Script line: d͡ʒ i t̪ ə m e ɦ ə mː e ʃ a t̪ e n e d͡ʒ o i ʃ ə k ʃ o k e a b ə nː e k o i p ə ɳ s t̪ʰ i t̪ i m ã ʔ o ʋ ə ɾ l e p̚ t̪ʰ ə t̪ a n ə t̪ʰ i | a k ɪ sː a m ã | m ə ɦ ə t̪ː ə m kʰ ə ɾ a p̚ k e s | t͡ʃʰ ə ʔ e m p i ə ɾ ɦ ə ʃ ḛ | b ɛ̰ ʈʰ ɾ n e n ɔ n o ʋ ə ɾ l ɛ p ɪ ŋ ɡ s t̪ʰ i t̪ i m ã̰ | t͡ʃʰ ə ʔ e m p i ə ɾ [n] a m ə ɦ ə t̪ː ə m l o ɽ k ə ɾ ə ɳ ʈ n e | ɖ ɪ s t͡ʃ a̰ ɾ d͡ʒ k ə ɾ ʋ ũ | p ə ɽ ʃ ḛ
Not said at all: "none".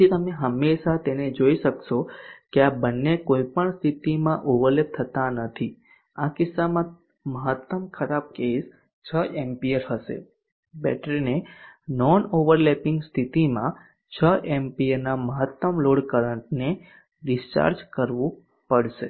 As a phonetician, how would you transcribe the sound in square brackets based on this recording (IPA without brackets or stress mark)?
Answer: n